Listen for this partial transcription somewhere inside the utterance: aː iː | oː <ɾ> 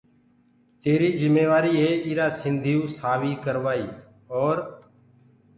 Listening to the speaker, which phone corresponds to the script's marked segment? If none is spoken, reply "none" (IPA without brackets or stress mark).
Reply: ɾ